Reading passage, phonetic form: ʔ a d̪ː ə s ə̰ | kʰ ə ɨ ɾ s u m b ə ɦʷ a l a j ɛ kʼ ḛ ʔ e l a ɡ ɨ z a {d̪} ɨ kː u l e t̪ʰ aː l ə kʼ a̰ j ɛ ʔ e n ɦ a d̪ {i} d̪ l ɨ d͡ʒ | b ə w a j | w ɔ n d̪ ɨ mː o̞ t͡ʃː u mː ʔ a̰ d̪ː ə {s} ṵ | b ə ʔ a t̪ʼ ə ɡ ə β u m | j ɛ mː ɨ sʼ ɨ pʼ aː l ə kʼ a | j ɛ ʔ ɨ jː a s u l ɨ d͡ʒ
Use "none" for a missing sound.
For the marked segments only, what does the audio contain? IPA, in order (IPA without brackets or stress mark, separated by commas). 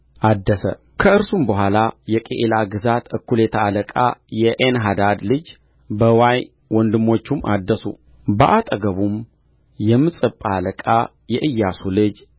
t̪, a, s